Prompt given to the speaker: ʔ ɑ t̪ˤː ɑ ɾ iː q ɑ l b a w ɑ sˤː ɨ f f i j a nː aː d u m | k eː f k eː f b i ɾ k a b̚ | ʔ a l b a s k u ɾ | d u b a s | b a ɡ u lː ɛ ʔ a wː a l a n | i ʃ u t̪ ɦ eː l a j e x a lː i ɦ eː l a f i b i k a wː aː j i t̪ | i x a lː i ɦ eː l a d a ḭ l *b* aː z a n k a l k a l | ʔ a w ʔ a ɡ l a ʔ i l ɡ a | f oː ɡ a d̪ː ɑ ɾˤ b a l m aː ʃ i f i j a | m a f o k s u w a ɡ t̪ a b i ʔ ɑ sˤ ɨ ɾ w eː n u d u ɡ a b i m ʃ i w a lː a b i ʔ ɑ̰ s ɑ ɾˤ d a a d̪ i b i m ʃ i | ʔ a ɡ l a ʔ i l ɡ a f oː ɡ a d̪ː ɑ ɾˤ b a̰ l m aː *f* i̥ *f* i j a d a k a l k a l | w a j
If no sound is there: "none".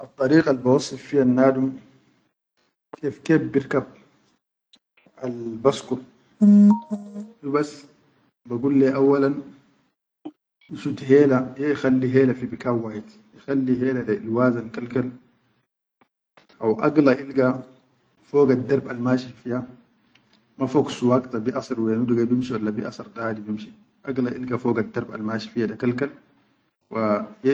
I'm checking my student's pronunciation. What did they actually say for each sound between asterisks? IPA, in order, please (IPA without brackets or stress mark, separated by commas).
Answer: w, ʃ, f